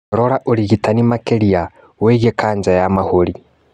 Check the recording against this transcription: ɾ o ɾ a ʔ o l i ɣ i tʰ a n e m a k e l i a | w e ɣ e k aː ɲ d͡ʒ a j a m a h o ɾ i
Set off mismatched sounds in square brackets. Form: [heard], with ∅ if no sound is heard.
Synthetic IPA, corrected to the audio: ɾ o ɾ a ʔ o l i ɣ i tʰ a n [i] m a k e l i a | w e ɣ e k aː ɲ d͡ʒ a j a m a h o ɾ i